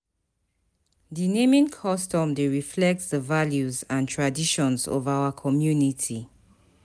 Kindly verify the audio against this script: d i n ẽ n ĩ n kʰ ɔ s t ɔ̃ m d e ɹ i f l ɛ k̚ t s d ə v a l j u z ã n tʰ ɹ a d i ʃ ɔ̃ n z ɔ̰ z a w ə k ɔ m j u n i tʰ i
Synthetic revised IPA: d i n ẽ m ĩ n kʰ ɔ s t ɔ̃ m d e ɹ i f l ɛ k̚ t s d ə v a l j u z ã n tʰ ɹ a d i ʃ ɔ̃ n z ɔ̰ v a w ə kʰ ɔ m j u n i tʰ i